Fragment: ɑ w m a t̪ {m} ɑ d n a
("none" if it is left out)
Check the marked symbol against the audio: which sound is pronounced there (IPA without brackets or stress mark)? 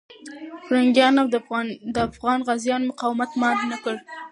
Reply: m